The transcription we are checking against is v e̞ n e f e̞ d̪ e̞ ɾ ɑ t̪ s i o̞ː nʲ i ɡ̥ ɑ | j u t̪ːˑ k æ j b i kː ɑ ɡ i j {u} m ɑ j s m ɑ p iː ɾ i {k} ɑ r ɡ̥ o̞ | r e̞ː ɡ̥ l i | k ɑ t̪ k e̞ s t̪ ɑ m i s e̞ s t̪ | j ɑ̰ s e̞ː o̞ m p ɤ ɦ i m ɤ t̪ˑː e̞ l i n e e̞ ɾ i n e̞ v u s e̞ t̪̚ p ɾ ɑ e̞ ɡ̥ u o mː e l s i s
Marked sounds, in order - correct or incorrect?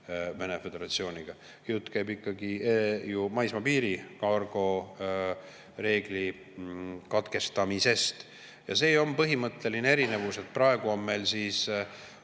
correct, correct

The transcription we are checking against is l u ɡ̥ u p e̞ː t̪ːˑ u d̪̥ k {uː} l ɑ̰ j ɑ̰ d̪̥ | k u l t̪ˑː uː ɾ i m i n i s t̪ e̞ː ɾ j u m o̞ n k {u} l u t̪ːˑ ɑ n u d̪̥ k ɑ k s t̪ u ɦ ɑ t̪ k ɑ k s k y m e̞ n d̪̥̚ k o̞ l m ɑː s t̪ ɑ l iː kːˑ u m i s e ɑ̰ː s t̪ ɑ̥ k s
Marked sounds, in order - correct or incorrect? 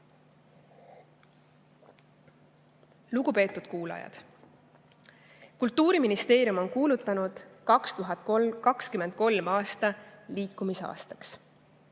correct, incorrect: uː

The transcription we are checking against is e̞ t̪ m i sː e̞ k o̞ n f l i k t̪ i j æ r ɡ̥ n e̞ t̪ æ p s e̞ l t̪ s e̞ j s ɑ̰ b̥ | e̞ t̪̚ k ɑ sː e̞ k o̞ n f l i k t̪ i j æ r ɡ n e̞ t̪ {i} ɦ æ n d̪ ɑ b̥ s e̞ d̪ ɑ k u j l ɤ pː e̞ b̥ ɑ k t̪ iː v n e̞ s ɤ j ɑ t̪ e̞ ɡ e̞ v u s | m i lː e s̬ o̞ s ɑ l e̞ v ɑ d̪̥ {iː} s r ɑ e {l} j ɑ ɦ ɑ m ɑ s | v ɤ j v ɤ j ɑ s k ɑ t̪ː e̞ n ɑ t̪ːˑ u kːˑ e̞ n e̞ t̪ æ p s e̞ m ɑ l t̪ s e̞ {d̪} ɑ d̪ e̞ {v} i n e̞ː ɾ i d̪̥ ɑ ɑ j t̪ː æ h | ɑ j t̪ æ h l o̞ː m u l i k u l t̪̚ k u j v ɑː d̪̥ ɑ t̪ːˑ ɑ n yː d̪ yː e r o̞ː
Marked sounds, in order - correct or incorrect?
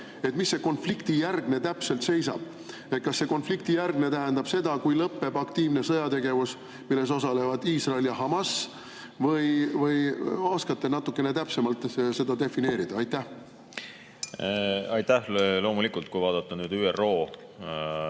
incorrect: æ, correct, correct, correct, incorrect: f

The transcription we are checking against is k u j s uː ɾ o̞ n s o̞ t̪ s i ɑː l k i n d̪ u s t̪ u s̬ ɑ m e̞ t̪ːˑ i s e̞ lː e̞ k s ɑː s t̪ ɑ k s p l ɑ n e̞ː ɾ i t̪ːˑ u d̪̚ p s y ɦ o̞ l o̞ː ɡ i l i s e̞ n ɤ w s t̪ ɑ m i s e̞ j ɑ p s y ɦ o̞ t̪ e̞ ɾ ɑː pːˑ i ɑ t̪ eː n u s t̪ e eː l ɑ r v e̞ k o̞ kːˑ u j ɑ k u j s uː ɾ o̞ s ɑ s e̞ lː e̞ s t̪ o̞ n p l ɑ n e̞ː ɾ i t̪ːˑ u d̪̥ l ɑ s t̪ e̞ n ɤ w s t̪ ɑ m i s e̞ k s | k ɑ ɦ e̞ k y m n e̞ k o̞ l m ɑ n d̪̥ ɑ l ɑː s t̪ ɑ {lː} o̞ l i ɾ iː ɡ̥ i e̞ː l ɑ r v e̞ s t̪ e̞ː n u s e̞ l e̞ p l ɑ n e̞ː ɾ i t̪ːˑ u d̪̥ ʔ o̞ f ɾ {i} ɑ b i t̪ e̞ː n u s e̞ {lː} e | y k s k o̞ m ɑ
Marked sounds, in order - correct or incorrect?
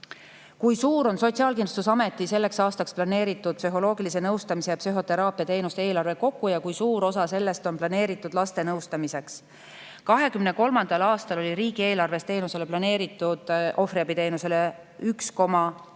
incorrect: l, correct, incorrect: l

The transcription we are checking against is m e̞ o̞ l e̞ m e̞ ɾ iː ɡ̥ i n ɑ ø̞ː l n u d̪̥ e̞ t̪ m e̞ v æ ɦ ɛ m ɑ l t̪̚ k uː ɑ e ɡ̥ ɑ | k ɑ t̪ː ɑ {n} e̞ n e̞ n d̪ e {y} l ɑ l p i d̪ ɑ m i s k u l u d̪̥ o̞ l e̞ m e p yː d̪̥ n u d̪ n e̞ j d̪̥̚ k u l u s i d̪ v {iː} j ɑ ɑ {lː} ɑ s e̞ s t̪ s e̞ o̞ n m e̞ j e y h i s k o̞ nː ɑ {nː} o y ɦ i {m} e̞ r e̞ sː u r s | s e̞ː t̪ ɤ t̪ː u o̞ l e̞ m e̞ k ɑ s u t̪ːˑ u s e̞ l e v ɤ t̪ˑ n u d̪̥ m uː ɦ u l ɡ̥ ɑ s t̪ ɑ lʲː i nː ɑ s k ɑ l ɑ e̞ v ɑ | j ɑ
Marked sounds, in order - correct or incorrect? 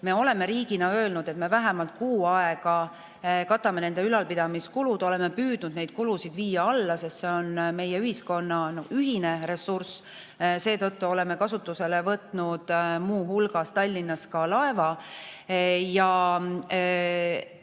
incorrect: m, correct, correct, correct, incorrect: n, incorrect: n

